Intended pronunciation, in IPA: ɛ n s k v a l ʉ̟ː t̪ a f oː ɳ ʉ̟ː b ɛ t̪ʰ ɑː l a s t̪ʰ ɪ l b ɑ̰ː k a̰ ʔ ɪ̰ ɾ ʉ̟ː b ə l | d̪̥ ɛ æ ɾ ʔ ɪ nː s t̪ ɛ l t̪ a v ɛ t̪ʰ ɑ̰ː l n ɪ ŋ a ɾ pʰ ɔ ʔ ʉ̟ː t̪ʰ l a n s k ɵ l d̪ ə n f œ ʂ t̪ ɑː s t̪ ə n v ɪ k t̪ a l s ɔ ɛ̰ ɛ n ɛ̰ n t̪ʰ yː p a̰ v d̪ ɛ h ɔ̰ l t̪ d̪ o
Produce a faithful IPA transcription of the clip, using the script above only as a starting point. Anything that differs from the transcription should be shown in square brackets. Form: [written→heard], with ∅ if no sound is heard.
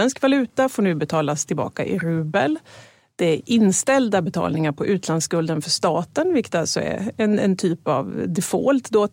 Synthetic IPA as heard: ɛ n s k v a l ʉ̟ː t̪ a f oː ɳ ʉ̟ː b ɛ t̪ʰ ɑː l a s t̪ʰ ɪ l b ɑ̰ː k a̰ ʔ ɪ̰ ɾ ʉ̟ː b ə l | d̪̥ ɛ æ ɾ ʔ ɪ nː s t̪ ɛ l [t̪→d̪] a [v→b] ɛ t̪ʰ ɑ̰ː l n ɪ ŋ a ɾ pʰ ɔ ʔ ʉ̟ː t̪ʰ l a n s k ɵ l d̪ ə n f œ ʂ t̪ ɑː [s→∅] t̪ ə n v ɪ k t̪ a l s ɔ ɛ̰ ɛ n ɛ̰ n t̪ʰ yː p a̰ v d̪ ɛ [h→f] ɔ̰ l t̪ d̪ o